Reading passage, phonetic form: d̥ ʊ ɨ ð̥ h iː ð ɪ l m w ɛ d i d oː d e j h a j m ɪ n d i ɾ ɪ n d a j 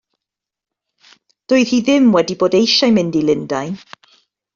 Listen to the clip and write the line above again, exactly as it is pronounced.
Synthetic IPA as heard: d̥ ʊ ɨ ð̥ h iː ð ɪ m w ɛ d i b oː d e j ʃ a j m ɪ n d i l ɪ n d a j